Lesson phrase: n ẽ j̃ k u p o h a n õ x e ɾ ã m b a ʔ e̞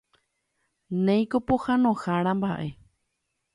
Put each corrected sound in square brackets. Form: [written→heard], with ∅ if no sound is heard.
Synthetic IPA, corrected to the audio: n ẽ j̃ k [u→o] p o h a n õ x [e→a] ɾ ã m b a ʔ e̞